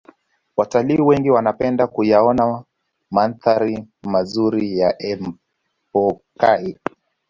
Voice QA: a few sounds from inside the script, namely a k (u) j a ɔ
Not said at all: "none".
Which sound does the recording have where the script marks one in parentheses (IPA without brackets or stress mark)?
u